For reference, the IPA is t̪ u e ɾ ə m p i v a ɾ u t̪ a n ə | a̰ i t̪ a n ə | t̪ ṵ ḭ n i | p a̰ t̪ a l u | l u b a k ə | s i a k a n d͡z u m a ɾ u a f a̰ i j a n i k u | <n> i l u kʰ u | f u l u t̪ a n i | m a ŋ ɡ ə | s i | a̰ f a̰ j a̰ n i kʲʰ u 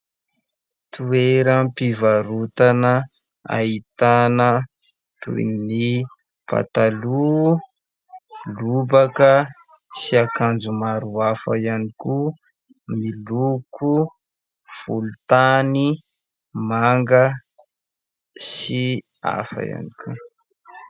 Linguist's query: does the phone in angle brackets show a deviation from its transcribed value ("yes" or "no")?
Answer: yes